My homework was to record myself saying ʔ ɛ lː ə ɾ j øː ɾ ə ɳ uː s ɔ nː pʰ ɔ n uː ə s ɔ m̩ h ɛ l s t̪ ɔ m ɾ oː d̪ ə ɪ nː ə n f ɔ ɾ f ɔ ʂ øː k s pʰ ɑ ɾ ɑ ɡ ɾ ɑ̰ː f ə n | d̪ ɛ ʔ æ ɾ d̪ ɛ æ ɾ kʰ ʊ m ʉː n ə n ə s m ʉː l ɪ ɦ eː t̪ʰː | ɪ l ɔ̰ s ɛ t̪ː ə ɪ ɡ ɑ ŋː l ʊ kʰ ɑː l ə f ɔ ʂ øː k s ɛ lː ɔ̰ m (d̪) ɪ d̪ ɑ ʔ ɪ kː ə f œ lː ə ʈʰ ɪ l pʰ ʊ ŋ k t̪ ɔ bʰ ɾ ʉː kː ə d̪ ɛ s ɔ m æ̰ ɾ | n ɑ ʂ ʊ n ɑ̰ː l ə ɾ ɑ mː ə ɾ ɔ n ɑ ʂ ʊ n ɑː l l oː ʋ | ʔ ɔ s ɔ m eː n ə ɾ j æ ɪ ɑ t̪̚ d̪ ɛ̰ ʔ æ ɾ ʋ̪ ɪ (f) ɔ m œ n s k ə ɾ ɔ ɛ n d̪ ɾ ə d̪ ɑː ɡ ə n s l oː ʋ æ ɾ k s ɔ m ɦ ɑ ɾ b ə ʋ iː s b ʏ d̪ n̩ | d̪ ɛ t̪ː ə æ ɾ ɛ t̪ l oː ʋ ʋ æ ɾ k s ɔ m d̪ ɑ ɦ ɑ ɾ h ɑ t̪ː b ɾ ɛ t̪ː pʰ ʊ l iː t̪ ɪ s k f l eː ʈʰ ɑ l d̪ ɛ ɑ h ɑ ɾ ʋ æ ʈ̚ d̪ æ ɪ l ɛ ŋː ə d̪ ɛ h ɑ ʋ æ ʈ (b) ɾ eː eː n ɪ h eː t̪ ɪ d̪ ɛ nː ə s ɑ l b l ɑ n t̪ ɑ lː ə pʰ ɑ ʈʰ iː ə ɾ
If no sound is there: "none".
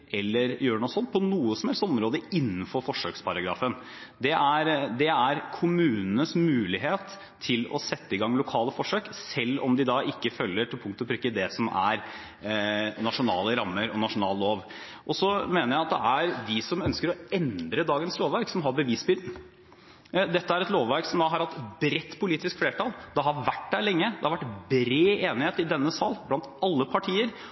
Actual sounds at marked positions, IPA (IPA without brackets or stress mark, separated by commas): d̪, s, b